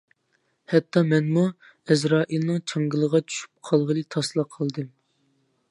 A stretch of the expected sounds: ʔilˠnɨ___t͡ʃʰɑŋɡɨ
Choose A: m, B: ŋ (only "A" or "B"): B